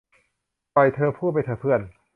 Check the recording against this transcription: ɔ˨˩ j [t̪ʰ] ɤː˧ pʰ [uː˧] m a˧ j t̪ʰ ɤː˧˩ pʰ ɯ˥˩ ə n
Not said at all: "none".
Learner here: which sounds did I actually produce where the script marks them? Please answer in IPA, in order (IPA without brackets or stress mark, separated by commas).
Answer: t̪ʰ, uː˥˩